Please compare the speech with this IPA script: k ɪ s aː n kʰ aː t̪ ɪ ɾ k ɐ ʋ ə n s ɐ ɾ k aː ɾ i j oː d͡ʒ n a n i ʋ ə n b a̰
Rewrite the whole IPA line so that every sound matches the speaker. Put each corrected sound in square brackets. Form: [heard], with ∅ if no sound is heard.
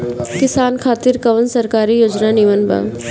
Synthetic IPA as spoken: k ɪ s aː n kʰ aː t̪ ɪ ɾ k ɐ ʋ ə n s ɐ ɾ k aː ɾ i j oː d͡ʒ n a n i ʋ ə n b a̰